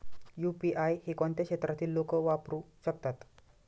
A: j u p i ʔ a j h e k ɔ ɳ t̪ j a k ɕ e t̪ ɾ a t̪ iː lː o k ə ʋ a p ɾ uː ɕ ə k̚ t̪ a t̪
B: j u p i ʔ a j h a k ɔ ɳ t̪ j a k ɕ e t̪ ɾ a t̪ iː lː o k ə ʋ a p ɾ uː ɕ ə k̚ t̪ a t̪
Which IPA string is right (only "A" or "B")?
A